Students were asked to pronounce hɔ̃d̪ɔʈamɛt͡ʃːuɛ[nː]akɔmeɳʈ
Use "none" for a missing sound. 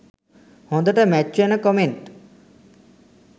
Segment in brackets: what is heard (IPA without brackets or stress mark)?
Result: n